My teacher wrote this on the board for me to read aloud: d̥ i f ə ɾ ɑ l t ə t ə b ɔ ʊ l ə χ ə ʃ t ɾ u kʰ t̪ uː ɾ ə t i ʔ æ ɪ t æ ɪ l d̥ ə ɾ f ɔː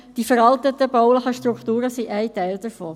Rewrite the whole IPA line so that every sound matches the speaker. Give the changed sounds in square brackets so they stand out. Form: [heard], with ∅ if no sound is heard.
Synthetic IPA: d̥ i f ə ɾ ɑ l t ə t ə b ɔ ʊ l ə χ ə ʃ t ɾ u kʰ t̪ uː ɾ ə [s] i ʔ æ ɪ t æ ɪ l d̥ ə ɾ f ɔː